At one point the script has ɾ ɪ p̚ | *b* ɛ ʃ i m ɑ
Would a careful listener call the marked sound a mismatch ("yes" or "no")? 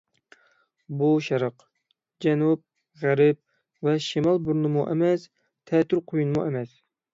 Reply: yes